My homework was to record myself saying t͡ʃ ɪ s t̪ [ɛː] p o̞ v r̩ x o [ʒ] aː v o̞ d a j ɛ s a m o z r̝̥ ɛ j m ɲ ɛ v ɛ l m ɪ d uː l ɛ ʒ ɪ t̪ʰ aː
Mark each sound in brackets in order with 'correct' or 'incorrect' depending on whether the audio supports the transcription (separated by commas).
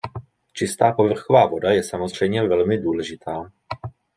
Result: incorrect, incorrect